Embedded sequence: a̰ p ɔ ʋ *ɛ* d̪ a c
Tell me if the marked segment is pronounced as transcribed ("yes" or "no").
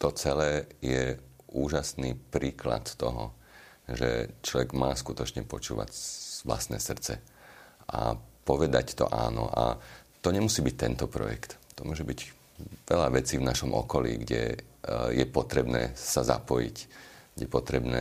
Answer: yes